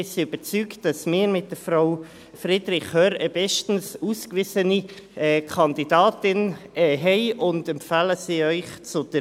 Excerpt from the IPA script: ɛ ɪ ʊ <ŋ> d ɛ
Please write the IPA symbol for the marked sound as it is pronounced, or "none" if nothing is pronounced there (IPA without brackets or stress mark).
n